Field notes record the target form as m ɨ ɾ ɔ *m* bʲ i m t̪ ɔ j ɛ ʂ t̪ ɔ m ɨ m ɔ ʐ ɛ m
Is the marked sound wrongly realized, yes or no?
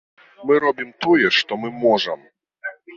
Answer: yes